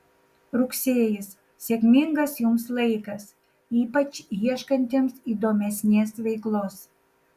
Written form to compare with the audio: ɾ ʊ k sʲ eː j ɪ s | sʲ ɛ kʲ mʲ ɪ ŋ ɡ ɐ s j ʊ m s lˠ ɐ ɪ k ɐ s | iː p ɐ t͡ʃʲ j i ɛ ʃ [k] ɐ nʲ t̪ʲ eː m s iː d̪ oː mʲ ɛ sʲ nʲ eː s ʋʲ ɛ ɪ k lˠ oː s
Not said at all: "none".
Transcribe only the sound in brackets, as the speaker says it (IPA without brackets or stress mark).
k